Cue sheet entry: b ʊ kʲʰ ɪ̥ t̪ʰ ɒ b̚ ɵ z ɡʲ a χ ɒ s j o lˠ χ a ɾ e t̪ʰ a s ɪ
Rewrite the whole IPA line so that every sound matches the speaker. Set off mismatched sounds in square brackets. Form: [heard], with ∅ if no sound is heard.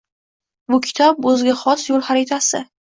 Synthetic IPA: b ʊ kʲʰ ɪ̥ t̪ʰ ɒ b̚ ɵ z ɡʲ a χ ɒ s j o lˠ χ a ɾ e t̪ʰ a s ɪ